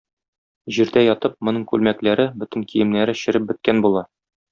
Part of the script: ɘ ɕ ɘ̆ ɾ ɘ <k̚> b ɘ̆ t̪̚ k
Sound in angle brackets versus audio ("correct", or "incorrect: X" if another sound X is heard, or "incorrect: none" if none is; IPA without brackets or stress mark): incorrect: p̚